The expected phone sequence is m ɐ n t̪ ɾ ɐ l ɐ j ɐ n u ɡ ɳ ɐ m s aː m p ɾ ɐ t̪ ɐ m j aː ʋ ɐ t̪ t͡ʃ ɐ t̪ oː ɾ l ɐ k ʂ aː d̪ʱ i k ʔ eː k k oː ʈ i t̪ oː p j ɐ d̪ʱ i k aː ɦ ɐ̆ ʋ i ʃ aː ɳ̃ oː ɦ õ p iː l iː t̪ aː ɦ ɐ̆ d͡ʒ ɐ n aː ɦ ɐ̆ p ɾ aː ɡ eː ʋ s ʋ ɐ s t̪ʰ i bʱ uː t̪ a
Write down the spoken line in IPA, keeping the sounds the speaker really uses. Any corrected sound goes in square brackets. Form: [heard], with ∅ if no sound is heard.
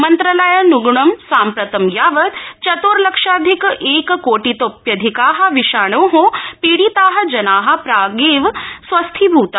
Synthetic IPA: m ɐ n t̪ ɾ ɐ l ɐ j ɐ n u ɡ ɳ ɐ m s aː m p ɾ ɐ t̪ ɐ m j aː ʋ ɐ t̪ t͡ʃ ɐ t̪ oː ɾ l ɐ k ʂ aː d̪ʱ i k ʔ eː k k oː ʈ i t̪ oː p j ɐ d̪ʱ i k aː ɦ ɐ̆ ʋ i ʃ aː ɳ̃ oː ɦ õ p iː [ɽ] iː t̪ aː ɦ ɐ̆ d͡ʒ ɐ n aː ɦ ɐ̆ p ɾ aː ɡ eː ʋ s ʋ ɐ s t̪ʰ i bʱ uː t̪ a